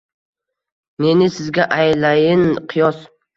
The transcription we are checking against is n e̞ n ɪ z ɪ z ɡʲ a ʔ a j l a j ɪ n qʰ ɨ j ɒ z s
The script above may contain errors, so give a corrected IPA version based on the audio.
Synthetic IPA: n e̞ n ɪ s ɪ z ɡʲ a ʔ a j l a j ɪ n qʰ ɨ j ɒ s

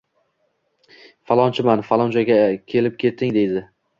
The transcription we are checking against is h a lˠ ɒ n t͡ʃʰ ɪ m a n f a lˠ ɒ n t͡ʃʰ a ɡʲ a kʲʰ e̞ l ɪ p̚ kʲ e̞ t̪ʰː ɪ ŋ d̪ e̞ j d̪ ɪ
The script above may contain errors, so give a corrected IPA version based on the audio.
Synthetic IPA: f a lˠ ɒ n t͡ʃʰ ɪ m a n f a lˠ ɒ n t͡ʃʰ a ɡʲ a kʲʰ e̞ l ɪ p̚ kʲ e̞ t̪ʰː ɪ ŋ d̪ e̞ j d̪ ɪ

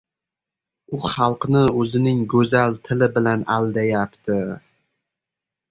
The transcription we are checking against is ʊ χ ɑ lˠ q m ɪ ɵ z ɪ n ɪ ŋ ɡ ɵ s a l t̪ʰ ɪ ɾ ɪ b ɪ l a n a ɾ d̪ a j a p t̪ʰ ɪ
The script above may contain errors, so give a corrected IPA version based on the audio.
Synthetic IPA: ʊ χ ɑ lˠ q n ɪ ɵ z ɪ n ɪ ŋ ɡ ɵ z a l t̪ʰ ɪ l ɪ b ɪ l a n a l d̪ a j a p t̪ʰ ɪ

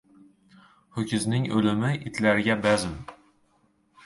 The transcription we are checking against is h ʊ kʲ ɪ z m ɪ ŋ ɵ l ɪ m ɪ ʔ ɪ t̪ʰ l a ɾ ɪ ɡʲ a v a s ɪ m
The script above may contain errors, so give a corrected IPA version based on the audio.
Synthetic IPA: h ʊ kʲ ɪ z n ɪ ŋ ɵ l ɪ m ɪ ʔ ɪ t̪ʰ l a ɾ ɪ ɡʲ a b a z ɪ m

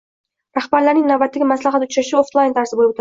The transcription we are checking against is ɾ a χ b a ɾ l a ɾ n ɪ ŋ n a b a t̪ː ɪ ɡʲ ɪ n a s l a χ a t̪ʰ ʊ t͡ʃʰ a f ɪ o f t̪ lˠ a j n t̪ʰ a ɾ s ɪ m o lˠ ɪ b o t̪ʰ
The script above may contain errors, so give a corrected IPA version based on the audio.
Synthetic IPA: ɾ a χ b a ɾ l a ɾ n ɪ ŋ n a b a t̪ː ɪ ɡʲ ɪ m a s l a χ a t̪ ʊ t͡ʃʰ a ʃ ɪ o f t̪ lˠ a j n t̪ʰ a ɾ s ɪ b o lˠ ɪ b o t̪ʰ

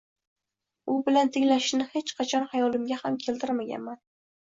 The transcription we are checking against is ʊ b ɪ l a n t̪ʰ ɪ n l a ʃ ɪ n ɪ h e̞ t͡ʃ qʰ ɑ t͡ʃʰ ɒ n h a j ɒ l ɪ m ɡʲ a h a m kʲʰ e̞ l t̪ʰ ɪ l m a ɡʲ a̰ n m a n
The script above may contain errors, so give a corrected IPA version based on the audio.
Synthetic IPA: ʊ b ɪ l a n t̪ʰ ɪ ŋ l a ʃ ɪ n ɪ h e̞ t͡ʃ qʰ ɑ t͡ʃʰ ɒ n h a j ɒ l ɪ m ɡʲ a h a m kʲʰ e̞ l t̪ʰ ɪ ɾ m a ɡʲ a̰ n m a n

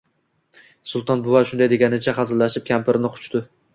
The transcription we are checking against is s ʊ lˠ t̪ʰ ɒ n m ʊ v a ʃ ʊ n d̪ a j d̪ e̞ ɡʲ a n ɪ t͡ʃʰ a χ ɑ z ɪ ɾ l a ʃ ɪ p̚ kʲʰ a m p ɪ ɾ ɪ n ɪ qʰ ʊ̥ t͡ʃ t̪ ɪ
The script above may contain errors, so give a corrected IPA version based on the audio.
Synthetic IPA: s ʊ lˠ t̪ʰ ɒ n b ʊ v a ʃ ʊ n d̪ a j d̪ e̞ ɡʲ a n ɪ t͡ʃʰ a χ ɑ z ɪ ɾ l a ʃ ɪ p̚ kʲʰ a m p ɪ ɾ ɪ n ɪ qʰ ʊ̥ t͡ʃ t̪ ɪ

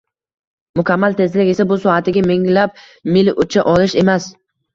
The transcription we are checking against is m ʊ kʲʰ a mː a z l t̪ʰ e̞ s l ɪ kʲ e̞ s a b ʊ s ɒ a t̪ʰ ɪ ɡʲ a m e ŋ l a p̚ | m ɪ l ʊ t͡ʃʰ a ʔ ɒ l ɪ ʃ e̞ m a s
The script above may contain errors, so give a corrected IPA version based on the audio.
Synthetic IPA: m ʊ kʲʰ a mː a l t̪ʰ e̞ z l ɪ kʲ e̞ s a b ʊ s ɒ a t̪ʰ ɪ ɡʲ a m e ŋ l a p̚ | m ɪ l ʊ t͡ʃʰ a ʔ ɒ l ɪ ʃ e̞ m a s

